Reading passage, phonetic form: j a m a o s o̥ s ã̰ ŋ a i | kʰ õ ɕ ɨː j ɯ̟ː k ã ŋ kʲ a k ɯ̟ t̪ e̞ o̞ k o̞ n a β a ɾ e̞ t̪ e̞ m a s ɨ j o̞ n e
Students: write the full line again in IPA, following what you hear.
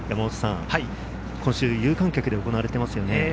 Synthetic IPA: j a m a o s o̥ s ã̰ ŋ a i | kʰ õ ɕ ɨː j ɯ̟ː k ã ŋ kʲ a k ɯ̟ d̪ e̞ o̞ k o̞ n a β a ɾ e̞ t̪ e̞ m a s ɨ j o̞ n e